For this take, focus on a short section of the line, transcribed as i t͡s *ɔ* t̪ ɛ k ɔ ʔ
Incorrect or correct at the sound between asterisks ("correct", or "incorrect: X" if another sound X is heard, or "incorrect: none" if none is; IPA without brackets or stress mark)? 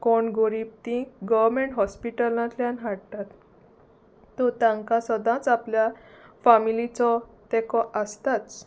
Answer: correct